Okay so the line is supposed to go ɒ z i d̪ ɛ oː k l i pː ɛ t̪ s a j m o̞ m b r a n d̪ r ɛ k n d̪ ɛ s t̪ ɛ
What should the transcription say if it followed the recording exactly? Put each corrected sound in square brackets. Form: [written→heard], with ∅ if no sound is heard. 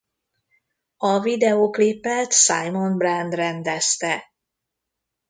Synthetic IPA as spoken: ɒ [z→v] i d̪ ɛ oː k l i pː ɛ t̪ s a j m o̞ [m→n] b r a n d̪ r ɛ [k→∅] n d̪ ɛ s t̪ ɛ